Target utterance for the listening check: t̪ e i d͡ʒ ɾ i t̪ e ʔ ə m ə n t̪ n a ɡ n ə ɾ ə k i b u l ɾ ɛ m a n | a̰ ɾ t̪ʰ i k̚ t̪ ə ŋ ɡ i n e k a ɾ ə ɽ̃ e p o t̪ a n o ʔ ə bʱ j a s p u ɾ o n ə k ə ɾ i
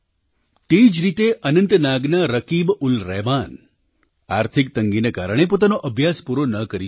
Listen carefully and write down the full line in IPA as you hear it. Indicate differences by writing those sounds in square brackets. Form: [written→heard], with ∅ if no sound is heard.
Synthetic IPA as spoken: t̪ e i d͡ʒ ɾ i t̪ e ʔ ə [m→n] ə n t̪ n a ɡ n [ə→a] ɾ ə k i b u l ɾ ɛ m a n | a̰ ɾ t̪ʰ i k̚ t̪ ə ŋ ɡ i n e k a ɾ ə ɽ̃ e p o t̪ a n o ʔ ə bʱ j a s p u ɾ o n ə k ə ɾ i